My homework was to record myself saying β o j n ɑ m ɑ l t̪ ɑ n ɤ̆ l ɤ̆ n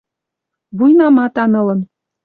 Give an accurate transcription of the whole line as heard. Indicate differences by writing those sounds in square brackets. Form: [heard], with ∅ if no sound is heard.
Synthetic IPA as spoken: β [u] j n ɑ m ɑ [∅] t̪ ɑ n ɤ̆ l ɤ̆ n